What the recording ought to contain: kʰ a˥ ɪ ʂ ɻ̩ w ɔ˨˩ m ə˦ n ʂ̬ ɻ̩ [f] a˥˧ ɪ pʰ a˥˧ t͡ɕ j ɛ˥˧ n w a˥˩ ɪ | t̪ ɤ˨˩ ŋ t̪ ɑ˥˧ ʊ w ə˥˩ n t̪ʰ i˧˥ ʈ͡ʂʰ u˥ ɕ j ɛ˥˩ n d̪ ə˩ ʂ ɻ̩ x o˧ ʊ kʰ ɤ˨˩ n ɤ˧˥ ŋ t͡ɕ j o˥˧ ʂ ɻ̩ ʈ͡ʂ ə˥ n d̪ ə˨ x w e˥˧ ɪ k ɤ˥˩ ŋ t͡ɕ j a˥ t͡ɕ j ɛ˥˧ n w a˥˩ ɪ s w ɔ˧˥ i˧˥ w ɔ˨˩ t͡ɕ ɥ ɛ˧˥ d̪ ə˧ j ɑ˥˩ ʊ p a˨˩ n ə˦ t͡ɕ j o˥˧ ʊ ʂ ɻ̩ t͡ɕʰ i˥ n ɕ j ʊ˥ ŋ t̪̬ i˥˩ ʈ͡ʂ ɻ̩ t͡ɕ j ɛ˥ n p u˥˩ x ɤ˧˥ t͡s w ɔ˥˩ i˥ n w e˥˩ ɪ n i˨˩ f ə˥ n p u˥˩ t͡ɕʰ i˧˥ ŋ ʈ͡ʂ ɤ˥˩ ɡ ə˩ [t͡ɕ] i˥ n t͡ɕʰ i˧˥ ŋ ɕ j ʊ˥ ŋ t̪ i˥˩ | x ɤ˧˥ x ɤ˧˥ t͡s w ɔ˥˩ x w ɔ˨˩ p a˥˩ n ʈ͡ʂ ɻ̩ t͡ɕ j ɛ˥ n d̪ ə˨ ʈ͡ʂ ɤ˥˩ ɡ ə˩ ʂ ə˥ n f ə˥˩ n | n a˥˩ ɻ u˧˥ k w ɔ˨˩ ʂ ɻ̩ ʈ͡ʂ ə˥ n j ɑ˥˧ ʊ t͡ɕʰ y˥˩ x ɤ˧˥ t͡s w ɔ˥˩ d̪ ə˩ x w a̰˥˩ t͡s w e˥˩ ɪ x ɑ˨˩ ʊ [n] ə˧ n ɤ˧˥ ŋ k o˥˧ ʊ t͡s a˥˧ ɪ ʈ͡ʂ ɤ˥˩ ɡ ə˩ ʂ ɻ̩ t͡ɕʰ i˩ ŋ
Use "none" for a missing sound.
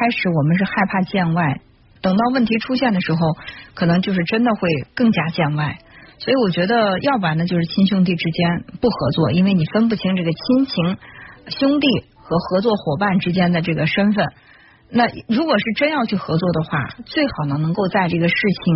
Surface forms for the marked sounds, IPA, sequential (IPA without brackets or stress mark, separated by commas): x, t͡ɕʰ, n